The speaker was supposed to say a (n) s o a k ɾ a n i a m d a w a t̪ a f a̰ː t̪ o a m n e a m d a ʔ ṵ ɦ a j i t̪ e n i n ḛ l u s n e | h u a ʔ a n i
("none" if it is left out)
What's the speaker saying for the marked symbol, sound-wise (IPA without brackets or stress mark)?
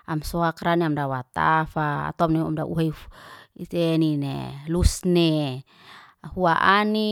m